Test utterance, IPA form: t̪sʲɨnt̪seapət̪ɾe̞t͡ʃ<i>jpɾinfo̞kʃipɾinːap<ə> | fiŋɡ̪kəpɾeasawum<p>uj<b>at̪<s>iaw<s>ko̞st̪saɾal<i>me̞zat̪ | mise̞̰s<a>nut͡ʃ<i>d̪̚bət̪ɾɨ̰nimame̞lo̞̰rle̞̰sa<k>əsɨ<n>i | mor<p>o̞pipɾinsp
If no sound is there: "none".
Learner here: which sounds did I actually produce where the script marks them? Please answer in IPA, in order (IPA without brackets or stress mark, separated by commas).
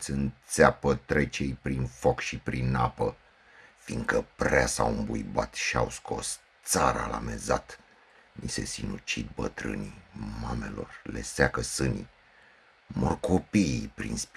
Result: e, ə, b, b, ʃ, s, a, i, i, k, n, k